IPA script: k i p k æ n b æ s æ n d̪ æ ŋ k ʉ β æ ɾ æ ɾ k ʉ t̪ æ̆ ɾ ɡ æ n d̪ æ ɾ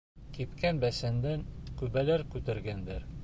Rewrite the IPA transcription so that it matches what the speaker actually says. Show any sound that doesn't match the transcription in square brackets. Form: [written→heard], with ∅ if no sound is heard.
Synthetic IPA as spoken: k i p k æ n b æ s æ n d̪ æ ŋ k ʉ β æ [ɾ→l] æ ɾ k ʉ t̪ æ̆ ɾ ɡ æ n d̪ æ ɾ